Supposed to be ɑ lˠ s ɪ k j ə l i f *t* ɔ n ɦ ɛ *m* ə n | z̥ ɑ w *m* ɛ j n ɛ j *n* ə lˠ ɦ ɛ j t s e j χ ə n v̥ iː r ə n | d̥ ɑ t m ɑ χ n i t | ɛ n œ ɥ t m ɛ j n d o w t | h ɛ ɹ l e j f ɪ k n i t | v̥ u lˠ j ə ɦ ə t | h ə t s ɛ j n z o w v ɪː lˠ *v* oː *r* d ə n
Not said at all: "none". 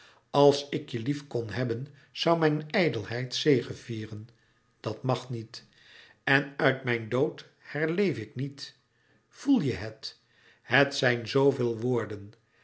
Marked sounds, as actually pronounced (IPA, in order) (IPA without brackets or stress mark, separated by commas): k, b, m, d, ʋ, ɹ